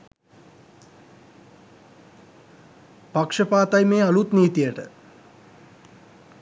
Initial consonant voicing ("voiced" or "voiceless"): voiceless